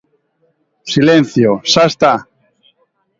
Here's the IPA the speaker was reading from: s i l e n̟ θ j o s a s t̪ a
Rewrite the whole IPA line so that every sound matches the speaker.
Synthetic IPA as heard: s i l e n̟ θ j o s a s t̪ a